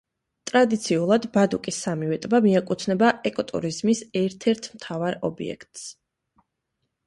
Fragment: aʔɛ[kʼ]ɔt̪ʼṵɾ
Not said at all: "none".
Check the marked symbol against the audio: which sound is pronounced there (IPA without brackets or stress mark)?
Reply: kʼ